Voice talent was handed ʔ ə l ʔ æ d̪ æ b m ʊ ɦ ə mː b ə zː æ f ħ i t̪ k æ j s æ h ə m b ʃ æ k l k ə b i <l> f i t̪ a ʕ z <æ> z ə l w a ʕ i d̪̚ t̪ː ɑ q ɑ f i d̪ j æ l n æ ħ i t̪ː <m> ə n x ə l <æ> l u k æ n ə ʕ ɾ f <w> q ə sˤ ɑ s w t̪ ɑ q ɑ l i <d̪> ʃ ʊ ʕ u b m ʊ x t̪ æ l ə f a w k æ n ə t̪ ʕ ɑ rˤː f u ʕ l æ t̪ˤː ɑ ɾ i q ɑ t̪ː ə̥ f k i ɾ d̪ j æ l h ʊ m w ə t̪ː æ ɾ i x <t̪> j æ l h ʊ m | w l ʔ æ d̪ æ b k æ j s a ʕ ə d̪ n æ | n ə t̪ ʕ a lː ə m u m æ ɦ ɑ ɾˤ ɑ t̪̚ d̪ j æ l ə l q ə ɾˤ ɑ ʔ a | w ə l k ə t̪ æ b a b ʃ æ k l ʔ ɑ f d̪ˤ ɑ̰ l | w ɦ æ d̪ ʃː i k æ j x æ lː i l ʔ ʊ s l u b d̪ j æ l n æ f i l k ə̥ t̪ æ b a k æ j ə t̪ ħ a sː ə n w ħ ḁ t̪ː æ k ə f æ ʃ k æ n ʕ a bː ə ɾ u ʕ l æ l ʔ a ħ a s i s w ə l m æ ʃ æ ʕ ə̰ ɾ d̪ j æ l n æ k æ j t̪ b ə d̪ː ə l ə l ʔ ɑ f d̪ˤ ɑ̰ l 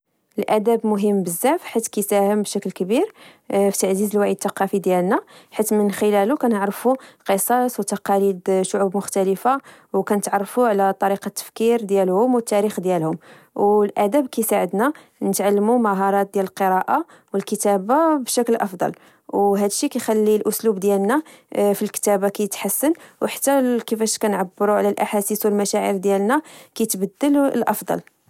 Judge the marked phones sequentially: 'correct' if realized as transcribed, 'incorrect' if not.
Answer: incorrect: ɾ, incorrect: i, correct, correct, incorrect: u, correct, incorrect: d̪

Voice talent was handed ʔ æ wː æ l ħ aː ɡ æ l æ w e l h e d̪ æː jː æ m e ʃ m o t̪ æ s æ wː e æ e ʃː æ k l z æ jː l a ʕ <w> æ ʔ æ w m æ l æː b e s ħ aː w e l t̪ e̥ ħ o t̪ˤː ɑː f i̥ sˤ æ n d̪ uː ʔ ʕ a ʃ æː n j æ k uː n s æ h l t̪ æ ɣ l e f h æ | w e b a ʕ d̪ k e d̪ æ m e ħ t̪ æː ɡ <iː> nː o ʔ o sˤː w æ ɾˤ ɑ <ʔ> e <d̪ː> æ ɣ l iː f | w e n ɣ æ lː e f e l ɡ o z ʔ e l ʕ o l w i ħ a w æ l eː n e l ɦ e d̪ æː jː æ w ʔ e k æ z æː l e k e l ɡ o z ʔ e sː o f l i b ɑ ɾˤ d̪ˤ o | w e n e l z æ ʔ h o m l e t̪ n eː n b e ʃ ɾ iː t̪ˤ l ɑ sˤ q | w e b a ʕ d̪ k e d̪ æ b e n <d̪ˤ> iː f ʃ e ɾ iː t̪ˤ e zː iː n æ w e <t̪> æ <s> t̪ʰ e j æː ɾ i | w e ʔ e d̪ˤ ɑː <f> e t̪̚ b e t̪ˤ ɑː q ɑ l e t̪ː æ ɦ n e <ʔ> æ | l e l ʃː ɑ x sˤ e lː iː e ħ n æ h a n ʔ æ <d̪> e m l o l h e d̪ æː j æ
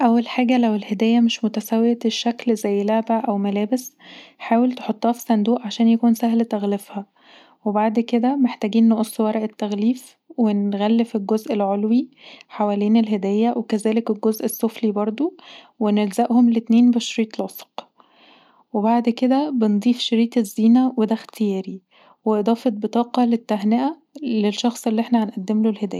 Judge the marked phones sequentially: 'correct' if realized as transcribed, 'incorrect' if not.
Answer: incorrect: b, correct, correct, incorrect: t̪ː, correct, incorrect: d̪, incorrect: x, correct, correct, incorrect: d̪ː

